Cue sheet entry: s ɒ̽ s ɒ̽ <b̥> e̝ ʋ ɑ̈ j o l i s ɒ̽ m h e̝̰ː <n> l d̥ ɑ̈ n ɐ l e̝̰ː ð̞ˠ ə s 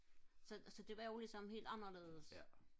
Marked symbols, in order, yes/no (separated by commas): no, no